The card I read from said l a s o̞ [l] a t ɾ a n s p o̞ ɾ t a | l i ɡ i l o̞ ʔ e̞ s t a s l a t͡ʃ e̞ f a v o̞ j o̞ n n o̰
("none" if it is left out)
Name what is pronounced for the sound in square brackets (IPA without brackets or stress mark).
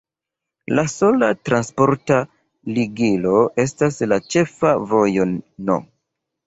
l